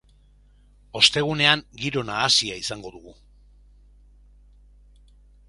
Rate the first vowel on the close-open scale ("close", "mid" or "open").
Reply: mid